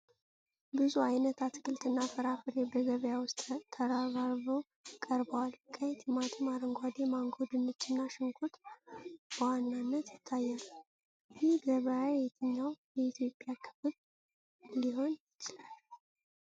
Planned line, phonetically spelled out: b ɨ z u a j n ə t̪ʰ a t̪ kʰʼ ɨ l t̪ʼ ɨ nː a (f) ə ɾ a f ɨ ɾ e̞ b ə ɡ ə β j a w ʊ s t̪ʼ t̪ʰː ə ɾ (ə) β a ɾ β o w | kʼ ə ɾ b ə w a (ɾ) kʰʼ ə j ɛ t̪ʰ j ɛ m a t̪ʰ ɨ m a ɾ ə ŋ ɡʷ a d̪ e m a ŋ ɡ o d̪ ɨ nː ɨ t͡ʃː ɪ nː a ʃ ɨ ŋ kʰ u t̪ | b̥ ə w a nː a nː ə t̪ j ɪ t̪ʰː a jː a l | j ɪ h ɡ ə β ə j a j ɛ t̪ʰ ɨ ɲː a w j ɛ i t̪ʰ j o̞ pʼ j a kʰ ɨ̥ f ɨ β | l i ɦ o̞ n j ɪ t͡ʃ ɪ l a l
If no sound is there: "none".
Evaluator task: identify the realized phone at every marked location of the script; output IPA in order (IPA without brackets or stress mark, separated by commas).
f, a, l